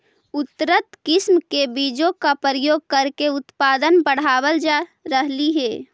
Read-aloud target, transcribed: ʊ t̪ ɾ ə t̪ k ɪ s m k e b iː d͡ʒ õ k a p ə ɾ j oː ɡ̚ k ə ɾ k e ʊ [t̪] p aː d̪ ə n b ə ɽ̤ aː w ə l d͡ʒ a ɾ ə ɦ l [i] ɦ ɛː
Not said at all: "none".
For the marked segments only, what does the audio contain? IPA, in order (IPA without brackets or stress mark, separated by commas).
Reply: t̪, i